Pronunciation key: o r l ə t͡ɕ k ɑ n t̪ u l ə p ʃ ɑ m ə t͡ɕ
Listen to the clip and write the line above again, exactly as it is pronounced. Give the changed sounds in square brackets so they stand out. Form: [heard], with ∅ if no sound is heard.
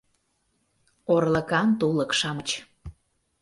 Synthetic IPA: o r l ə [∅] k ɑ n t̪ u l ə [k] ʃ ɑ m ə t͡ɕ

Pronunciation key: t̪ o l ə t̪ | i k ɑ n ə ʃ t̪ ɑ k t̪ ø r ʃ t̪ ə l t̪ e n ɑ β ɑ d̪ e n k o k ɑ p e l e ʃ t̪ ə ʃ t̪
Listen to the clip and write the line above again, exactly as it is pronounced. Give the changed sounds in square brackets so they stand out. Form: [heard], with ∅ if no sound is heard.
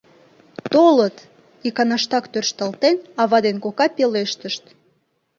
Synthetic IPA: t̪ o l ə t̪ | i k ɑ n [ɑ] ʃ t̪ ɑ k t̪ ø r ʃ t̪ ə l t̪ e n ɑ β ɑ d̪ e n k o k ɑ p e l e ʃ t̪ ə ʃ t̪

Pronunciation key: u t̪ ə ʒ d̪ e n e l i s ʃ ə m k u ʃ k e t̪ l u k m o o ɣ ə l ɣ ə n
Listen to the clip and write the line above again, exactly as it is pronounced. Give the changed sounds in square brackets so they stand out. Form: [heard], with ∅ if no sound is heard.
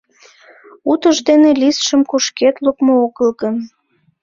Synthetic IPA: u t̪ ə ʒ d̪ e n e l i s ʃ ə m k u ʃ k e t̪ l u k m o o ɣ ə l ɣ ə n

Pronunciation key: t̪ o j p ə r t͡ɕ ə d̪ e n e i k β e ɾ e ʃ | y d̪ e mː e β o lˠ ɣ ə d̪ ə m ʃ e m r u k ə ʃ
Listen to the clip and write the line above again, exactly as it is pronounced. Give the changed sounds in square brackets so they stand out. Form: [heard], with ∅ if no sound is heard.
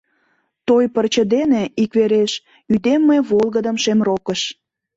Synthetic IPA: t̪ o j p ə r t͡ɕ ə d̪ e n e i k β e ɾ e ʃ | y d̪ e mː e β o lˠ ɣ ə d̪ ə m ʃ e m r [o] k ə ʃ

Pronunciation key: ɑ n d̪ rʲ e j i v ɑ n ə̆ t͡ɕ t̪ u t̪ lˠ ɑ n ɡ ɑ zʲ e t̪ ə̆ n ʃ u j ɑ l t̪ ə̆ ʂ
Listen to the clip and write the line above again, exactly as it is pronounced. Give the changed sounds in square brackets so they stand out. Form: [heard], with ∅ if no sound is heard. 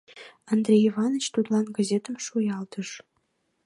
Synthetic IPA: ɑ n d̪ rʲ e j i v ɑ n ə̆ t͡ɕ t̪ u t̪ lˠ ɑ n ɡ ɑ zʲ e t̪ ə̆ [m] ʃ u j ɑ l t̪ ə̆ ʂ

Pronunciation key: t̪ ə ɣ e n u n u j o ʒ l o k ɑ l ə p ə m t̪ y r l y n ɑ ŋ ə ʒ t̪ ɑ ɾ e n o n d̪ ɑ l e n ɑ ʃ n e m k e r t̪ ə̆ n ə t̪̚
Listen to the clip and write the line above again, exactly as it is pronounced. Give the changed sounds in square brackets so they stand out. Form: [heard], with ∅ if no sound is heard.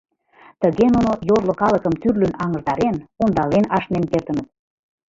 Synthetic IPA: t̪ ə ɣ e n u n [o] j o ʒ l o k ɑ l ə [k] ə m t̪ y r l y n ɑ ŋ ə ʒ [d̪] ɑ ɾ e n o n d̪ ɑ l e n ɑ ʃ n e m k e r t̪ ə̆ n ə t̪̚

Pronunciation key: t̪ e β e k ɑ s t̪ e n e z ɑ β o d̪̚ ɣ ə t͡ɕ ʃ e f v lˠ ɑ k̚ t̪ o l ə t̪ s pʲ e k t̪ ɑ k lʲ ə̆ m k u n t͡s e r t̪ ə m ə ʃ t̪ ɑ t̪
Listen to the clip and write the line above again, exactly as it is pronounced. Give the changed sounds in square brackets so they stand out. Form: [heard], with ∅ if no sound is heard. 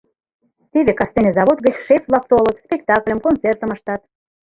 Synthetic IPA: t̪ e β e k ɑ s t̪ e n e z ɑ β o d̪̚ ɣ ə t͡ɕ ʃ e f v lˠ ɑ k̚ t̪ o l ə t̪ s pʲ e k t̪ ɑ k lʲ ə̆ m k [o] n t͡s e r t̪ ə m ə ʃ t̪ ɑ t̪

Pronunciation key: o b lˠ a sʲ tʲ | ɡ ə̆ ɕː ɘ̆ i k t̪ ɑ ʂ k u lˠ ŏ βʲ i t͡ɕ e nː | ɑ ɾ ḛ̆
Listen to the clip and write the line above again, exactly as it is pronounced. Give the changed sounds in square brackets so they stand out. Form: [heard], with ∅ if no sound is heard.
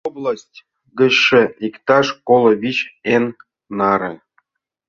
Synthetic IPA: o b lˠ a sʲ tʲ | ɡ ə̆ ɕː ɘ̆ i k t̪ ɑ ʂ k [o] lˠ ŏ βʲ i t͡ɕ e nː | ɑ ɾ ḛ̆

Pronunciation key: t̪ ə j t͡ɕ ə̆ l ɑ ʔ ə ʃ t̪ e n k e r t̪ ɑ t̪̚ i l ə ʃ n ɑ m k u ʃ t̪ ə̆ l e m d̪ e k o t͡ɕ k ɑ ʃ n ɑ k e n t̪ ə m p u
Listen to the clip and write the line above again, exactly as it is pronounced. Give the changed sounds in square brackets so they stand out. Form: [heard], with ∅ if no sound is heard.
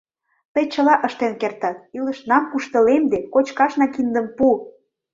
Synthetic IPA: t̪ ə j t͡ɕ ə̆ l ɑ ʔ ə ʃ t̪ e n k e r t̪ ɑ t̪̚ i l ə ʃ n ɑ m k u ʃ t̪ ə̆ l e m d̪ e k o t͡ɕ k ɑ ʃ n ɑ k [i] n [d̪] ə m p u

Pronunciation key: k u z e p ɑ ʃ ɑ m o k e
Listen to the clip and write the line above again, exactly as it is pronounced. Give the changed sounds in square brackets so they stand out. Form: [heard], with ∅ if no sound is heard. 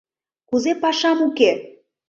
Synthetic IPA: k u z e p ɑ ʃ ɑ m [u] k e

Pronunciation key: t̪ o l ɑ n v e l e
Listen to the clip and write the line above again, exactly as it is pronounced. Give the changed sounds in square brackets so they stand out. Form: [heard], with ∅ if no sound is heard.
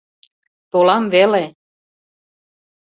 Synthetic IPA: t̪ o l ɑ [m] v e l e

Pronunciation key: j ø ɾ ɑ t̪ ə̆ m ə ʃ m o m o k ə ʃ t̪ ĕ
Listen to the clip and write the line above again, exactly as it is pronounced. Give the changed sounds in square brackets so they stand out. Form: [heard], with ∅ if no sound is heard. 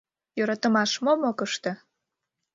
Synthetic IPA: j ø ɾ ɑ t̪ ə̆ m [ɑ] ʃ m o m o k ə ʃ t̪ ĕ

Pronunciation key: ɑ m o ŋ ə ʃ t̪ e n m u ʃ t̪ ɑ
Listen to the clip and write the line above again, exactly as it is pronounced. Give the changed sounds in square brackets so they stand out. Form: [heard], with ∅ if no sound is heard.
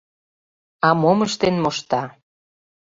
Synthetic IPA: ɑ m o [m] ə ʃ t̪ e n m [o] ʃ t̪ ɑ

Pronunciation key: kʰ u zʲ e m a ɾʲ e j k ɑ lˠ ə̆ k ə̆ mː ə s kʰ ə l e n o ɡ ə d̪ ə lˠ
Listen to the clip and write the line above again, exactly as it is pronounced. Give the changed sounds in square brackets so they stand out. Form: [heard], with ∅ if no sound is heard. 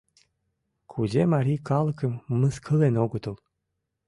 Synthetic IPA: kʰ u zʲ e m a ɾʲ [i] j k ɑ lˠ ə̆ k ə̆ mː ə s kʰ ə l e n o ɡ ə [t̪] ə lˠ

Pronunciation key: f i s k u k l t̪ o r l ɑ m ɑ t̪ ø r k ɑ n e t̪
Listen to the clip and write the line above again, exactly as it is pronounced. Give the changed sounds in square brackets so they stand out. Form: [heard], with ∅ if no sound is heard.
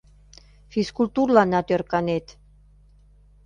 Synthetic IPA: f i s k u [∅] l t̪ [u] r l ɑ [n] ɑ t̪ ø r k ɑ n e t̪

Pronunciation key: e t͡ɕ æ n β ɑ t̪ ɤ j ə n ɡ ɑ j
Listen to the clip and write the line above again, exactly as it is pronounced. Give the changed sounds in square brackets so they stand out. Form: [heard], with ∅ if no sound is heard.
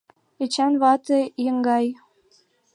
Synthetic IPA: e t͡ɕ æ n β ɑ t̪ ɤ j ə [ŋ] ɡ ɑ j

